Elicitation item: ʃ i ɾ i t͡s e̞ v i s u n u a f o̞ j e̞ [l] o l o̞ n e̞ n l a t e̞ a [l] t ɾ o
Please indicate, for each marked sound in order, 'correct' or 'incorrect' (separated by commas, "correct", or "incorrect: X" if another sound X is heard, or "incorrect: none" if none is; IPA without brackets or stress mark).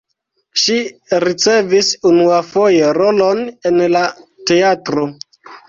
incorrect: ɾ, incorrect: none